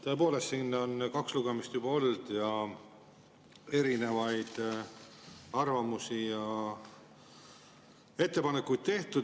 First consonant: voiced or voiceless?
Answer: voiceless